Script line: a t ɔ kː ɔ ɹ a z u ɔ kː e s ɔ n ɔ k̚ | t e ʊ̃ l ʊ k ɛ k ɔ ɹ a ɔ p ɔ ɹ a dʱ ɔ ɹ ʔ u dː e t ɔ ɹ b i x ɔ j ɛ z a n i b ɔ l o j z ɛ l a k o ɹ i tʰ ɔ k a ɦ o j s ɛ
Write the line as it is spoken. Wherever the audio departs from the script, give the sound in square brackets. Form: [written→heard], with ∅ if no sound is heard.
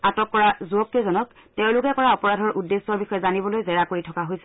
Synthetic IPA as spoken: a t ɔ kː ɔ ɹ a z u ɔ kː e [s→z] ɔ n ɔ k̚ | t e ʊ̃ l ʊ k ɛ k ɔ ɹ a ɔ p ɔ ɹ a dʱ ɔ ɹ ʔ u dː e [t→s] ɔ ɹ b i x ɔ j ɛ z a n i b ɔ l o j z ɛ [l→ɹ] a k o ɹ i tʰ ɔ k a ɦ o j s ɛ

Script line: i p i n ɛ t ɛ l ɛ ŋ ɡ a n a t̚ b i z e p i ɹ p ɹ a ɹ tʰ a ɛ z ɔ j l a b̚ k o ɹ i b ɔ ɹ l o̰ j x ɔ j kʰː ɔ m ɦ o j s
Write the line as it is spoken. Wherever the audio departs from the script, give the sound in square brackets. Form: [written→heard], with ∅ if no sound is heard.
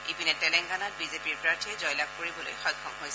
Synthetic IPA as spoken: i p i n ɛ t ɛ l ɛ ŋ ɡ a n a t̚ b i z e p i ɹ p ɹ a ɹ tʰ [a→i] ɛ z ɔ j l a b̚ k o ɹ i b ɔ [ɹ→∅] l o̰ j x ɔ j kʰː ɔ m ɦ o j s

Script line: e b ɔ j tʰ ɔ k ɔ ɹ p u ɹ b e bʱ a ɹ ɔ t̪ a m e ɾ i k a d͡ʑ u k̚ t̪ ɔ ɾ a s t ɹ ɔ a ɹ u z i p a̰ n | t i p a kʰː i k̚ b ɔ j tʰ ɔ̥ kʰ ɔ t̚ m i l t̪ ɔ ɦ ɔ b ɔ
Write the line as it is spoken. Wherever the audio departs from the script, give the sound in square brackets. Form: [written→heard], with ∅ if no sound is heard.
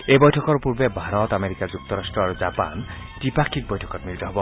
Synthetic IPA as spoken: e b ɔ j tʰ ɔ k ɔ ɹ p u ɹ b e bʱ a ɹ ɔ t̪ a m e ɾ i k a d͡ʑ u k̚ t̪ ɔ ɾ a s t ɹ ɔ a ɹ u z [i→a] p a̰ n | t i p a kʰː i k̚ b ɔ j tʰ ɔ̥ [kʰ→k] ɔ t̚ m i l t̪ ɔ ɦ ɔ b ɔ

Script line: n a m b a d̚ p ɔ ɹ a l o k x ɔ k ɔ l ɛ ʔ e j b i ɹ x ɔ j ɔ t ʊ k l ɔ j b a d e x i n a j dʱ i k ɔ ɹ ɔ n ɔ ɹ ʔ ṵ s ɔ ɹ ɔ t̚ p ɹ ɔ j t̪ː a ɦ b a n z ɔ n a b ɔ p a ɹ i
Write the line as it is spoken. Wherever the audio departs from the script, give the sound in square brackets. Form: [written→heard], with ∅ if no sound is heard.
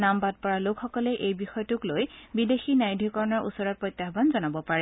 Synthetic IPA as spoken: n a m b a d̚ p ɔ ɹ a l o k x ɔ k ɔ l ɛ ʔ e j b i [ɹ→∅] x ɔ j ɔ t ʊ k l [ɔ→o] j b [a→i] d e x i n a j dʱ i k ɔ ɹ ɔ n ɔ ɹ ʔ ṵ s ɔ ɹ ɔ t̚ p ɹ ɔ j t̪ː a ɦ b a n z ɔ n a b ɔ p a ɹ [i→ɛ]

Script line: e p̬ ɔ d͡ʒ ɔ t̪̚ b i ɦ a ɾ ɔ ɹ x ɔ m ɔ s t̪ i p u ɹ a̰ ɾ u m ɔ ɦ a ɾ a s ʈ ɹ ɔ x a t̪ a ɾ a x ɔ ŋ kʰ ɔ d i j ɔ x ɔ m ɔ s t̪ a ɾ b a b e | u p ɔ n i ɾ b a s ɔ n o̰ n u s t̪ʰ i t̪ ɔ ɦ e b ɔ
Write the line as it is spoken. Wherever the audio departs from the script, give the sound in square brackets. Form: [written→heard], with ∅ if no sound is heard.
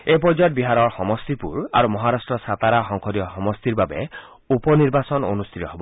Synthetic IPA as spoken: e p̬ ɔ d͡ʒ ɔ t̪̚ b i ɦ a ɾ ɔ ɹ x ɔ m ɔ s t̪ i p u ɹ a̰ ɾ u m ɔ ɦ a ɾ a s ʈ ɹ ɔ [x→s] a t̪ a ɾ a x ɔ ŋ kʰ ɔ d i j ɔ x ɔ m ɔ s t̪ [a→i] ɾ b a b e | u p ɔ n i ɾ b a s ɔ n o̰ n u s t̪ʰ i t̪ ɔ ɦ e b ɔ

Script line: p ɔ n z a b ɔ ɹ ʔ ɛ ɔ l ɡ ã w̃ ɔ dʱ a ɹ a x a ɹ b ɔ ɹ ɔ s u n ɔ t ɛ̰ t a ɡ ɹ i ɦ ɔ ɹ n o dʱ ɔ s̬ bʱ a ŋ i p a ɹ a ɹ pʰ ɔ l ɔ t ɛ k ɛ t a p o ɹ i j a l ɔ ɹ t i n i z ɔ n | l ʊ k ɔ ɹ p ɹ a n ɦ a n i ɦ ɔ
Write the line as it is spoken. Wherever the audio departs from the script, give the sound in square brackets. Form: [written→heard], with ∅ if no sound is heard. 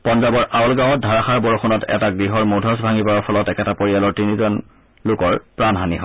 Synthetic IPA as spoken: p ɔ n z a b ɔ ɹ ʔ [ɛ→a] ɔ l ɡ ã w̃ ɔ dʱ a ɹ a x a ɹ b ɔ ɹ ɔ [s→x] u n ɔ t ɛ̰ t a ɡ ɹ i ɦ ɔ ɹ [n→m] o dʱ ɔ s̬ bʱ a ŋ i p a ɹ a ɹ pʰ ɔ l ɔ t ɛ k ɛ t a p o ɹ i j a l ɔ ɹ t i n i z ɔ n | l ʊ k ɔ ɹ p ɹ a n ɦ a n i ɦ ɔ

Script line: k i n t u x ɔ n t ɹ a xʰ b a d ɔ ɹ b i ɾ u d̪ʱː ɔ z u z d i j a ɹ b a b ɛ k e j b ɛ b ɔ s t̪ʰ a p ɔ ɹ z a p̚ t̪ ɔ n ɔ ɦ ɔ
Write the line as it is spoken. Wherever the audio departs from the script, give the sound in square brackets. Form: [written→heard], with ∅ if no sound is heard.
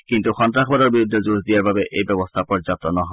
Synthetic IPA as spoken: k i n t u x ɔ n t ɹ a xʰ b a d ɔ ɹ b i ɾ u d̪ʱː ɔ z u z d i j a ɹ b a b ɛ [k→ʔ] e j b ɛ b ɔ s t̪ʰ a p ɔ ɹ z a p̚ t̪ ɔ n ɔ ɦ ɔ

